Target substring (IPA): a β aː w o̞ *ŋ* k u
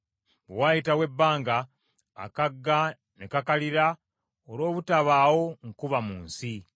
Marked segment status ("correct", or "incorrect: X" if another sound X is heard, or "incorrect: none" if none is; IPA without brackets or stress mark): correct